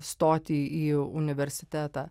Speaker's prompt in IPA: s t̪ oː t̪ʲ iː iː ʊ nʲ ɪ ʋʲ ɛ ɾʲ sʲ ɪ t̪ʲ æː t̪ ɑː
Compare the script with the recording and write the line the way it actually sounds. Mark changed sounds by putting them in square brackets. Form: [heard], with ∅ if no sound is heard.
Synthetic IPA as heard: s t̪ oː t̪ʲ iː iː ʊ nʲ ɪ ʋʲ ɛ ɾʲ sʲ ɪ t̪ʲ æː t̪ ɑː